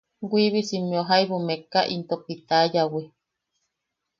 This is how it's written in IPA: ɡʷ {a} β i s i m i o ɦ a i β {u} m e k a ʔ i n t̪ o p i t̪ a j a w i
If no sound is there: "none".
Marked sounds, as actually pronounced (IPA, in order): i, u

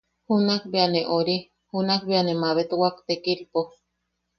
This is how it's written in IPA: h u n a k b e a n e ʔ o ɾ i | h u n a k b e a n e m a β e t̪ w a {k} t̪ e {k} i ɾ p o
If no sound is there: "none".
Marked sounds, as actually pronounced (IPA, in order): k, k

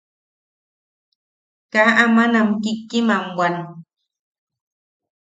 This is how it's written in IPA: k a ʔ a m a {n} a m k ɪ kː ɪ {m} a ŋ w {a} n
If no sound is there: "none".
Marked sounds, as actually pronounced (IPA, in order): n, m, a

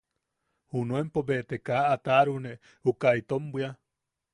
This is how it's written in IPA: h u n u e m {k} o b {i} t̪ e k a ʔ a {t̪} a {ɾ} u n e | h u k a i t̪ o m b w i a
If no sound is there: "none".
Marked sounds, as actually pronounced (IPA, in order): p, e, t̪, ɾ

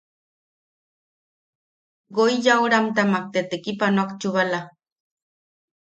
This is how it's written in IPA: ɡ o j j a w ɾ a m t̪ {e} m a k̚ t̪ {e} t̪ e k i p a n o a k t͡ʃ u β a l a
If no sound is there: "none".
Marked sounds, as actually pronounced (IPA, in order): a, e

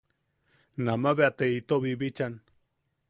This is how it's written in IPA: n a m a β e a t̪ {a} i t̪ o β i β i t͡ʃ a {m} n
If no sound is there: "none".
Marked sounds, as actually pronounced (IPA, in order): e, none

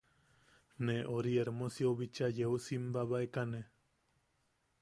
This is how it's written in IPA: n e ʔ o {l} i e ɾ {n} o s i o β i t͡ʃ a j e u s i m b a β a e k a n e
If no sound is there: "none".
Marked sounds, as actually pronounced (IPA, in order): ɾ, m

